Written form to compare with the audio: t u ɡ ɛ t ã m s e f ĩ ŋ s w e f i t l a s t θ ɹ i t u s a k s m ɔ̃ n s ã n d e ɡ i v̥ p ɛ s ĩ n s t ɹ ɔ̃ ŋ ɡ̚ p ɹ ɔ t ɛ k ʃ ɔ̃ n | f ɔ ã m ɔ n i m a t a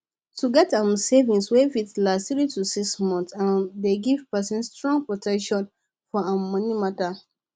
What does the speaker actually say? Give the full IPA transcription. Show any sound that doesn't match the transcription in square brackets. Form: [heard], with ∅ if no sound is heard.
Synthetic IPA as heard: t u ɡ ɛ t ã m s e [v] ĩ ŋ s w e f i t l a s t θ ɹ i t u s [i] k s m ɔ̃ n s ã n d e ɡ i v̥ p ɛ s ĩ n s t ɹ ɔ̃ ŋ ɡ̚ p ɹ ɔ t ɛ k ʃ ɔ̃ n | f ɔ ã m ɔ n i m a t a